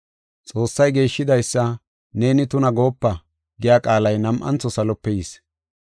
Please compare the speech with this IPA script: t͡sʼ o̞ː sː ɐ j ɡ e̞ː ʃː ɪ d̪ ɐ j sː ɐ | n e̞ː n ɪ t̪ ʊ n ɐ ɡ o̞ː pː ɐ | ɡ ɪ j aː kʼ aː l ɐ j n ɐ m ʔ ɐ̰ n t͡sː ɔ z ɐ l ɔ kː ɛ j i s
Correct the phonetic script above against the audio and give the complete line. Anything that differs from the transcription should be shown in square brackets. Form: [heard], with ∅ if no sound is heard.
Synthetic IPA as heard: t͡sʼ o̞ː sː ɐ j ɡ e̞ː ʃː ɪ d̪ ɐ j sː ɐ | n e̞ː n ɪ t̪ ʊ n ɐ ɡ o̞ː pː ɐ | ɡ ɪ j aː kʼ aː l ɐ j n ɐ m ʔ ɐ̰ n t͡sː ɔ [s] ɐ l ɔ [pː] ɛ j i s